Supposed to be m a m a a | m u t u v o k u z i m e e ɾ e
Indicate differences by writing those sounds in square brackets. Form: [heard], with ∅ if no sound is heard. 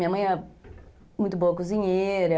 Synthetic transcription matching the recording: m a m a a | m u t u [b] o k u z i [ɲ] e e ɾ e